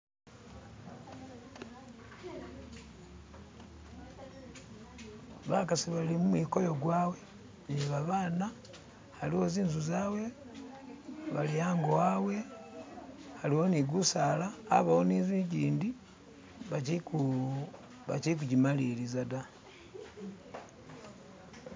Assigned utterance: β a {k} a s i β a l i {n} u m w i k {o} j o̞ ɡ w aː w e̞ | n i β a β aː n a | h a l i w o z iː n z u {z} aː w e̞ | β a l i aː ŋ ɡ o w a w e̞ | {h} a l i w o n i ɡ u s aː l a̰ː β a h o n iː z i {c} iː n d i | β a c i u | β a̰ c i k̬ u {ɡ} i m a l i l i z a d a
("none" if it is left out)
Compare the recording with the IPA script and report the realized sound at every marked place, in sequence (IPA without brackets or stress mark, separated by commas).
k, m, o, z, h, ɟ, ɟ